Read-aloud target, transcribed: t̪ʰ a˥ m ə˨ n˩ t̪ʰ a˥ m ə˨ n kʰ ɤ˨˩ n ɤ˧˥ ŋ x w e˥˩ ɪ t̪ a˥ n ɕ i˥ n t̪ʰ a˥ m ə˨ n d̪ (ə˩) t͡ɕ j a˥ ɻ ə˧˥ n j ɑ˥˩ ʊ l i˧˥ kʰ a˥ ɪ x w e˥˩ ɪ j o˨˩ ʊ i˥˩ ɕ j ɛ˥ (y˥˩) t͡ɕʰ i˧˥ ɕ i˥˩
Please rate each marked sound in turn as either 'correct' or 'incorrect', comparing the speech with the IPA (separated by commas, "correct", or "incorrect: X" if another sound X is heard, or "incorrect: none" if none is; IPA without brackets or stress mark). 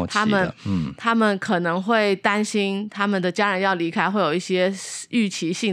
correct, correct